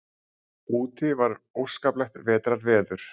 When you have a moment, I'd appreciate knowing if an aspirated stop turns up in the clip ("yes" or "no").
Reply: no